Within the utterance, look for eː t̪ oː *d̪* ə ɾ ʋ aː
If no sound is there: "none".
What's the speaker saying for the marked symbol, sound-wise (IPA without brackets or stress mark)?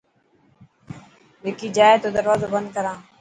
d̪